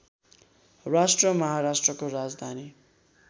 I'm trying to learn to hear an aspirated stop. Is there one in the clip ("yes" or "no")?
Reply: no